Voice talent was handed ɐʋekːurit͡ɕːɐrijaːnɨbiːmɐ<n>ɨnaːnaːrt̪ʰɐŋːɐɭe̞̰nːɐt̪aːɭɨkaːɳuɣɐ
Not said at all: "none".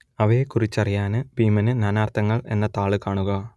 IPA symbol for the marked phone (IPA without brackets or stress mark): n